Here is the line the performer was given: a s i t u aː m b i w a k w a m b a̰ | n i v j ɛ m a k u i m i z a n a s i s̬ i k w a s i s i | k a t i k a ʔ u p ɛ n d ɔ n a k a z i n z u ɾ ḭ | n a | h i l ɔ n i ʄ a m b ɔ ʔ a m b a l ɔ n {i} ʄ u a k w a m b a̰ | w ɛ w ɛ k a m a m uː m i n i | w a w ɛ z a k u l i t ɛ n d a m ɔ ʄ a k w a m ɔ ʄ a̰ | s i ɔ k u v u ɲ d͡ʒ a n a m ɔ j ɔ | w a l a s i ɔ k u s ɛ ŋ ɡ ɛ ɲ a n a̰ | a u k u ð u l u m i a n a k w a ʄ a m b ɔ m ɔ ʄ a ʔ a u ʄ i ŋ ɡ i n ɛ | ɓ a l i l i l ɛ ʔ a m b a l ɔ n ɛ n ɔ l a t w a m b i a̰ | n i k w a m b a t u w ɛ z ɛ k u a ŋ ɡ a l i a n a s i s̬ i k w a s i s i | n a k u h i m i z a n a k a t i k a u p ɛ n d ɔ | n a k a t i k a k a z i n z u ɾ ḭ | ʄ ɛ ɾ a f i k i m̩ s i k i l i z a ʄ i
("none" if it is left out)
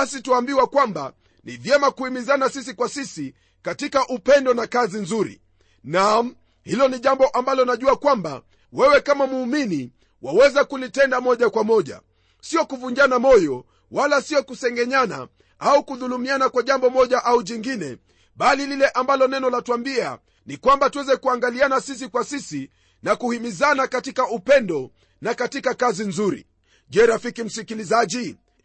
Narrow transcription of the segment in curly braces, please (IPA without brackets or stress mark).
a